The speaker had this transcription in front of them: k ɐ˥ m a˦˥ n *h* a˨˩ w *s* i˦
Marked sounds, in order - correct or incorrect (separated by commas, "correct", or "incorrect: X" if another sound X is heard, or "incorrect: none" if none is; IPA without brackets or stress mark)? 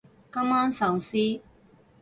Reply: incorrect: s, correct